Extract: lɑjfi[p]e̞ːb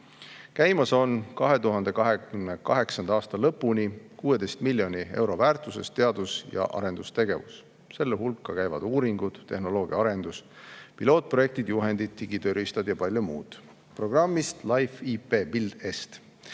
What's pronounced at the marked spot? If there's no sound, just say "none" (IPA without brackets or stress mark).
p